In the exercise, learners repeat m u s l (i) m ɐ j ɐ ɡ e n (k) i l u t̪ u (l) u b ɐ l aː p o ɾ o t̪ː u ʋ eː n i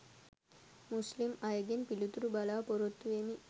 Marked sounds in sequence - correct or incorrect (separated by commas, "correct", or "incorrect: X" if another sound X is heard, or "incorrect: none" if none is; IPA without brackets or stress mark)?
correct, incorrect: p, incorrect: ɾ